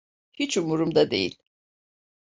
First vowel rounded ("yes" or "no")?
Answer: no